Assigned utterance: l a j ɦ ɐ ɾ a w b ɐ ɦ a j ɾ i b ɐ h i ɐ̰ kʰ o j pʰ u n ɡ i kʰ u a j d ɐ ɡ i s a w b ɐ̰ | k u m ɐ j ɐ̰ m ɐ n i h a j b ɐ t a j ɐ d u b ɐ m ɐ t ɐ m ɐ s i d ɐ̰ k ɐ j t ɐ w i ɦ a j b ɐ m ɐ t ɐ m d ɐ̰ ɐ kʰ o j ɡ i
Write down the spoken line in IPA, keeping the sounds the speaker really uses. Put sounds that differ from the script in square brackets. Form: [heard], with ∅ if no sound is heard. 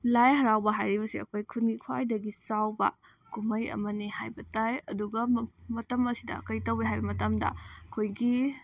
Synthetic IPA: l a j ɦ ɐ ɾ a w b ɐ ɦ a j ɾ i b ɐ [s] i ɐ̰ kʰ o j [kʰ] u n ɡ i kʰ [w] a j d ɐ ɡ i s a w b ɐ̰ | k u m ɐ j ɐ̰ m ɐ n i h a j b ɐ t a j ɐ d u [ɡ] ɐ m ɐ t ɐ m ɐ s i d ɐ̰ k ɐ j t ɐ w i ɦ a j b ɐ m ɐ t ɐ m d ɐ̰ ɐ kʰ o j ɡ i

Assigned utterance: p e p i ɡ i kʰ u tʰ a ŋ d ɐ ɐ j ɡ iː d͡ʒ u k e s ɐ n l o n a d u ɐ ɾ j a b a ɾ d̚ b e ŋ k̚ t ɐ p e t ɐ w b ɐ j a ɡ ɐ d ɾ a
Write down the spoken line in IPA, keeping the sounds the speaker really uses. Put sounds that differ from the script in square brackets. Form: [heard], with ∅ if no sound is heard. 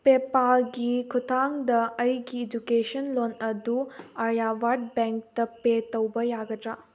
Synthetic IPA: p e p [a] ɡ i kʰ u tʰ a ŋ d ɐ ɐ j ɡ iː d͡ʒ u k e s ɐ n l o n [ɐ] d u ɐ ɾ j a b a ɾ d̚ b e ŋ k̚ t ɐ p e t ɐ w b ɐ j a ɡ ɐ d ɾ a

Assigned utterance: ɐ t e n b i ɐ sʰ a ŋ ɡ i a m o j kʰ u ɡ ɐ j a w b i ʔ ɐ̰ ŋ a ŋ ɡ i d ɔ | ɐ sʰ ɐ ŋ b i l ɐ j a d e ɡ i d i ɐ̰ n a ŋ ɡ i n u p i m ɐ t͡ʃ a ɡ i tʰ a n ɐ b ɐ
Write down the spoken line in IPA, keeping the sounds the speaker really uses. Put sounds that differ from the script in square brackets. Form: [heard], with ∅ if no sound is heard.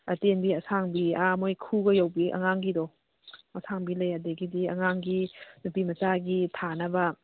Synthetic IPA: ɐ t e n b i ɐ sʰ a ŋ [b] i a m o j kʰ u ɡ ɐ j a w b i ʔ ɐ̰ ŋ a ŋ ɡ i d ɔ | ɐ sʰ [a] ŋ b i l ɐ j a d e ɡ i d i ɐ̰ [ŋ] a ŋ ɡ i n u p i m ɐ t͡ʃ a ɡ i tʰ a n ɐ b ɐ

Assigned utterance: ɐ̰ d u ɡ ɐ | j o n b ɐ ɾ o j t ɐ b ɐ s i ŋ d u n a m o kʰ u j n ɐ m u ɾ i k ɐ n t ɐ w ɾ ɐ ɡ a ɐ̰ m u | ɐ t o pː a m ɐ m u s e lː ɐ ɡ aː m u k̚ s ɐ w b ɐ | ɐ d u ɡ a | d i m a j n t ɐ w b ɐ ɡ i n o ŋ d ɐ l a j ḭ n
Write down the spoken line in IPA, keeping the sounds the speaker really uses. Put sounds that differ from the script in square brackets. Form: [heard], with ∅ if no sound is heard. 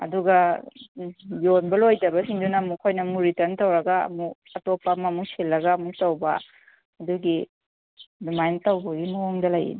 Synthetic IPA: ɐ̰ d u ɡ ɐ | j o n b ɐ [l] o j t ɐ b ɐ s i ŋ d u n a m [u] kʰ [o] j n ɐ m u ɾ i [t] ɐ n t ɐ w ɾ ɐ ɡ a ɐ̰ m u | ɐ t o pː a m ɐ m u s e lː ɐ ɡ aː m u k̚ [t] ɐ w b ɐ | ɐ d u ɡ [i] | d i m a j n t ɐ w b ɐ ɡ i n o ŋ d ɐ l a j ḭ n

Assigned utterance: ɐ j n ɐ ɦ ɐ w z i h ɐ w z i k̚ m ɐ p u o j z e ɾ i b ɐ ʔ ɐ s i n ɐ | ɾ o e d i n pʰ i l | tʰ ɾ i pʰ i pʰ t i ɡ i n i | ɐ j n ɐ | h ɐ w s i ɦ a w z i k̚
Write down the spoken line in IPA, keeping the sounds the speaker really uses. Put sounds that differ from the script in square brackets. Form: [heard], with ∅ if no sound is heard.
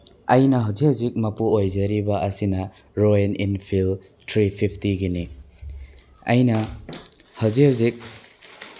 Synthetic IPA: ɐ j n ɐ ɦ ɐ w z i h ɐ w z i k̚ m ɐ p u o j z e ɾ i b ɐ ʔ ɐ s i n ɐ | ɾ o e [n] i n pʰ i l | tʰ ɾ i pʰ i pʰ t i ɡ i n i | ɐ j n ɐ | h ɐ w [z] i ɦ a w z i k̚

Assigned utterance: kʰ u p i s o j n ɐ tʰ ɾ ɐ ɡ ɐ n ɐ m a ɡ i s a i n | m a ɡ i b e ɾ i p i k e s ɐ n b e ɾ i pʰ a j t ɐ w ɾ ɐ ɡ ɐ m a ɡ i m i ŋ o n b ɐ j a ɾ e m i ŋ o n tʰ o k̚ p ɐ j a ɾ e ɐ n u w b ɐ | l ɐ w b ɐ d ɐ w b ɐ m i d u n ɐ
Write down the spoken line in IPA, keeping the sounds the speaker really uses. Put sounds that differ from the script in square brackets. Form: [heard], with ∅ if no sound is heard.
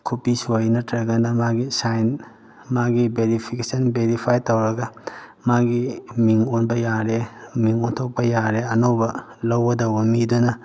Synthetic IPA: kʰ u p i s o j n ɐ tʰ ɾ ɐ ɡ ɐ n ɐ m a ɡ i s a [j] n | m a ɡ i b e ɾ i [pʰ] i k e s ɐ n b e ɾ i pʰ a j t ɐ w ɾ ɐ ɡ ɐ m a ɡ i m i ŋ o n b ɐ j a ɾ e m i ŋ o n tʰ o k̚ p ɐ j a ɾ e ɐ n [o] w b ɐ | l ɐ w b ɐ d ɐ w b ɐ m i d u n ɐ

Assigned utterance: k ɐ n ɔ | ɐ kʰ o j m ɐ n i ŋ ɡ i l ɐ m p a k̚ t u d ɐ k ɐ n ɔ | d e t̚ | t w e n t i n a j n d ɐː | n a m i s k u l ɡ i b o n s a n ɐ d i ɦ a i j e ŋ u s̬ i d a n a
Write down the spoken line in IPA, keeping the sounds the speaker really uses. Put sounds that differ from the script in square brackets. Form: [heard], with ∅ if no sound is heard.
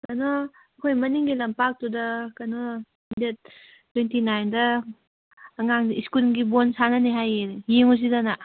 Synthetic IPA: k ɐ n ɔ | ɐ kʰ o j m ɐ n i ŋ ɡ i l ɐ m p a k̚ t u d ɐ k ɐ n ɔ | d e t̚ | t w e n t i n a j n d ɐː | [ŋ] a [ŋ] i s k u l ɡ i b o n s a n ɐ [n] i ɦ a [j] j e ŋ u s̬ i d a n a

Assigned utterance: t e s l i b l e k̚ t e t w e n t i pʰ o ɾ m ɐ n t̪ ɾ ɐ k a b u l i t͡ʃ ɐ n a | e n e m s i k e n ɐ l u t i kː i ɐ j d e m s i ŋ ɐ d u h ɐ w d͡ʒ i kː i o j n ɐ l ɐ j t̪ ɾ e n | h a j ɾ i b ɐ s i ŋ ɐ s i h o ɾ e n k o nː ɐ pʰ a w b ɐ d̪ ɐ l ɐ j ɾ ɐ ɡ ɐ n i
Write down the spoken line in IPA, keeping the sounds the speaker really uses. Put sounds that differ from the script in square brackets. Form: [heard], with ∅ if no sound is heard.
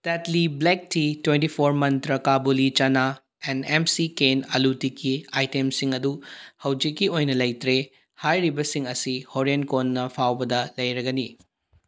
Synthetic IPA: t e [t] l i b l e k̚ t [i] t w e n t i pʰ o ɾ m ɐ n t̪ ɾ ɐ k a b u l i t͡ʃ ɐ n a | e n e m s i k e n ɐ l u t i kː i [a] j [t] e m s i ŋ ɐ d u h ɐ w d͡ʒ i kː i o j n ɐ l ɐ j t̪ ɾ e [∅] | h a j ɾ i b ɐ s i ŋ ɐ s i h o ɾ e n k o nː ɐ pʰ a w b ɐ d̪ ɐ l ɐ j ɾ ɐ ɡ ɐ n i

